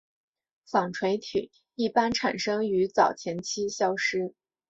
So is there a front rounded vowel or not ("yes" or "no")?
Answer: yes